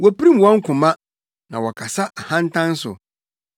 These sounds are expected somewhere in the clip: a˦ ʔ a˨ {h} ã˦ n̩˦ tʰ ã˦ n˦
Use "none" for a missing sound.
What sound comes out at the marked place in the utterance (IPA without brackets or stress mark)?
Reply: h